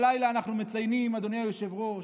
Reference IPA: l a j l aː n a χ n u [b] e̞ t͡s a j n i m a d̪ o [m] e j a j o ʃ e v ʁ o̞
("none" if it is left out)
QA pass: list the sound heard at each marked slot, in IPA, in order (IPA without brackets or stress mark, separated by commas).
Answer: m, n